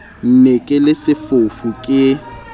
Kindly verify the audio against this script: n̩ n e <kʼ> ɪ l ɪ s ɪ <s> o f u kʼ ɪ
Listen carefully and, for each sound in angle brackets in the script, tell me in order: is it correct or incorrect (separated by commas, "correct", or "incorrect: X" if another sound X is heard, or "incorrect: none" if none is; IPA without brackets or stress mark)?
correct, incorrect: f